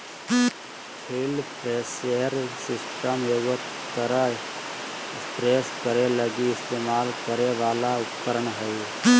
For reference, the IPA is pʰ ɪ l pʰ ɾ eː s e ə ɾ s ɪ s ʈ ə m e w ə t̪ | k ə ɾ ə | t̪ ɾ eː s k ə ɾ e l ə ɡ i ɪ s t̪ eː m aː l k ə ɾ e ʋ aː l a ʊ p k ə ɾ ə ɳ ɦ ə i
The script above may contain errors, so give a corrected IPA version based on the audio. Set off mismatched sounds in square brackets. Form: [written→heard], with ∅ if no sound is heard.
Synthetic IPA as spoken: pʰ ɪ l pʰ ɾ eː s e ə ɾ s ɪ s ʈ ə m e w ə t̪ | k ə ɾ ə | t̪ ɾ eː s k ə ɾ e l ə ɡ i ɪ s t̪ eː m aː l k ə ɾ e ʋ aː l a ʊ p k ə ɾ ə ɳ ɦ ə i

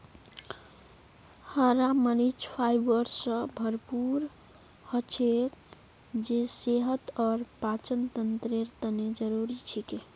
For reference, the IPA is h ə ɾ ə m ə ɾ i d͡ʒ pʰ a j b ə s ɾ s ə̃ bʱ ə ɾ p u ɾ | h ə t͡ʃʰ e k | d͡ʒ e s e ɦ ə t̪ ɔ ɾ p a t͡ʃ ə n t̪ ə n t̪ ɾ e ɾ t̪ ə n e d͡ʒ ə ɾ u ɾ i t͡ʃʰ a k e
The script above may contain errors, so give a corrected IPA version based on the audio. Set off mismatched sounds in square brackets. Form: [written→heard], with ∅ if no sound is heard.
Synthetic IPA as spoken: h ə ɾ [ə→a] m ə ɾ i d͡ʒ pʰ a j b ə [s→∅] ɾ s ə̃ bʱ ə ɾ p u ɾ | h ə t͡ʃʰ e k | d͡ʒ e s e ɦ ə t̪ ɔ ɾ p a t͡ʃ ə n t̪ ə n t̪ ɾ e ɾ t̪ ə n e d͡ʒ ə ɾ u ɾ i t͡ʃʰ [a→i] k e

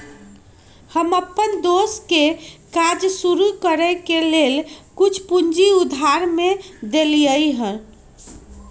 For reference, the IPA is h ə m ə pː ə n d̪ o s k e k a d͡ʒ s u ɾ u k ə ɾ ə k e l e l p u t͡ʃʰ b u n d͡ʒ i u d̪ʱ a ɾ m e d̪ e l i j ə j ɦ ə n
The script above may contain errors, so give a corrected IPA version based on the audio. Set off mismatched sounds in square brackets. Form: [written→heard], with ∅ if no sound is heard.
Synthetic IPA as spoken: h ə m ə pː ə n d̪ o s k e k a d͡ʒ s u ɾ u k ə ɾ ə k e l e l [p→k] u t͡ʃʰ [b→p] u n d͡ʒ i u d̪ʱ a ɾ m e d̪ e l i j ə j ɦ ə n

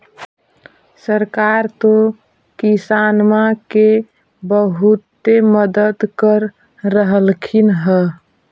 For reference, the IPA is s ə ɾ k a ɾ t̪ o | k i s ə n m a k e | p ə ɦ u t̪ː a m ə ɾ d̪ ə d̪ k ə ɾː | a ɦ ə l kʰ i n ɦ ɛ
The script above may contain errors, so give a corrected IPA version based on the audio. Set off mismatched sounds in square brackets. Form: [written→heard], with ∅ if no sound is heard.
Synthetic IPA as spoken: s ə ɾ k a ɾ t̪ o | k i s [ə→a] n m a k e | [p→b] ə ɦ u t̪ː [a→e] m ə [ɾ→∅] d̪ ə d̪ k ə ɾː | [a→ə] ɦ ə l kʰ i n ɦ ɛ

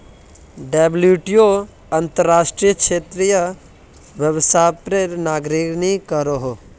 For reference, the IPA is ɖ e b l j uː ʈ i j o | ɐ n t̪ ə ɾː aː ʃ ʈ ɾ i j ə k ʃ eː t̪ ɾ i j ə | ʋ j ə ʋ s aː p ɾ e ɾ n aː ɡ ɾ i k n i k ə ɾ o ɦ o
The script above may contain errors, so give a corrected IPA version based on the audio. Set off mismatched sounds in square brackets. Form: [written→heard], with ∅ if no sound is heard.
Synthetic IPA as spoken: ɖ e b l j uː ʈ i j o | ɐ n t̪ ə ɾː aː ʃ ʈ ɾ i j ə k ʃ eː t̪ ɾ i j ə | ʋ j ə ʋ s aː p ɾ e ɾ n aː ɡ ɾ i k n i k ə ɾ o ɦ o

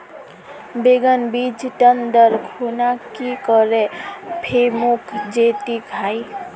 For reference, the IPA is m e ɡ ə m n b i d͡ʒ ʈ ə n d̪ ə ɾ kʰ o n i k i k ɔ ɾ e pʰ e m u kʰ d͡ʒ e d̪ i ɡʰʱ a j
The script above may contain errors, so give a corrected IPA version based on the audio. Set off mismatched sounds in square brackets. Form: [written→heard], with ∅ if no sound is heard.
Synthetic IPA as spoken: [m→b] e ɡ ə [m→∅] n b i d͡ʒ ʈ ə n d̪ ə ɾ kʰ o n [i→a] k i k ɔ ɾ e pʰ e m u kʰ d͡ʒ e [d̪→t̪] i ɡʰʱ a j

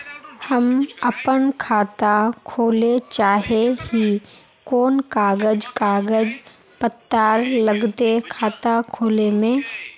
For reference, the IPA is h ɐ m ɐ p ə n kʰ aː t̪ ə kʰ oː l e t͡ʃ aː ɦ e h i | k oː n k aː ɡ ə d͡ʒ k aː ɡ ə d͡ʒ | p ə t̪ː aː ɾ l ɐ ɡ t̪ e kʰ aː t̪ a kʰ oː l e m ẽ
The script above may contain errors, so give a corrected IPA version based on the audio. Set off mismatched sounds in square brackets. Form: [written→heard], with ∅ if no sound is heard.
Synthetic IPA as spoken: h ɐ m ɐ p ə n kʰ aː t̪ [ə→a] kʰ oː l e t͡ʃ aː ɦ e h i | k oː n k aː ɡ ə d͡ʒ k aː ɡ ə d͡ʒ | p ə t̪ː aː ɾ l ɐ ɡ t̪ e kʰ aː t̪ a kʰ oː l e m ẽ

